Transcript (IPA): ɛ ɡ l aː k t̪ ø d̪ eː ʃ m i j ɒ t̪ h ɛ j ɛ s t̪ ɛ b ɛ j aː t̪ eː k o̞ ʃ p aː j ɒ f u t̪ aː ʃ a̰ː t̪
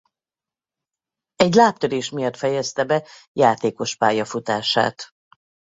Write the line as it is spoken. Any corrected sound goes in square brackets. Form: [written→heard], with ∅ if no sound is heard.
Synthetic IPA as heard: ɛ [ɡ→ɟ] l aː [k→p] t̪ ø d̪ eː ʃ m i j ɒ t̪ [h→f] ɛ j ɛ s t̪ ɛ b ɛ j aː t̪ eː k o̞ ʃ p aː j ɒ f u t̪ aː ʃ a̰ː t̪